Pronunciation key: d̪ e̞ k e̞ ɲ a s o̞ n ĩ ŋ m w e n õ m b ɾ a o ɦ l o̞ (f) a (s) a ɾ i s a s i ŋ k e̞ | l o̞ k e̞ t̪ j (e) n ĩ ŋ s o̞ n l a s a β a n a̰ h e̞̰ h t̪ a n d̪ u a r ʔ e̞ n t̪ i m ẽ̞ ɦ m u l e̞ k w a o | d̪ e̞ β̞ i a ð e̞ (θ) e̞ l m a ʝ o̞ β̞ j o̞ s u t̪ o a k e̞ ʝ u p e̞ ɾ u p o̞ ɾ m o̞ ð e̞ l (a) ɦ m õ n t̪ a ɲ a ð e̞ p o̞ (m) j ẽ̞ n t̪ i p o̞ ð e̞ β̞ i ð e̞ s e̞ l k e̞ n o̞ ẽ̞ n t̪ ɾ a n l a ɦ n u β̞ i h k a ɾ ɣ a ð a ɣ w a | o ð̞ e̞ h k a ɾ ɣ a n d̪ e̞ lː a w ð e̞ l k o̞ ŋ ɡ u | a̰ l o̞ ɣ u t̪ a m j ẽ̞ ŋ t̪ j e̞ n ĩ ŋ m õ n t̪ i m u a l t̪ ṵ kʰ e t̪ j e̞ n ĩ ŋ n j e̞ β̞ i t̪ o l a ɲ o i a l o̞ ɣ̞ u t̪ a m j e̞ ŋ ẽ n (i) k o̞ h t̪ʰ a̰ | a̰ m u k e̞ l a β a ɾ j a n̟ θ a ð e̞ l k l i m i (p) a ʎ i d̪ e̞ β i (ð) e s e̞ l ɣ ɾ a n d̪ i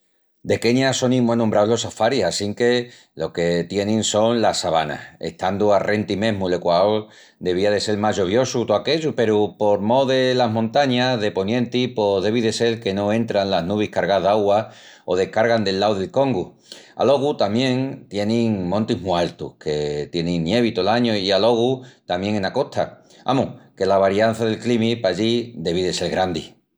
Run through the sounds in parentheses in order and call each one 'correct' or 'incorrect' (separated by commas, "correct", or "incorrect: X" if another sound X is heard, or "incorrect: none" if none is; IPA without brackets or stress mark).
incorrect: s, incorrect: f, correct, incorrect: s, correct, incorrect: n, incorrect: a, correct, correct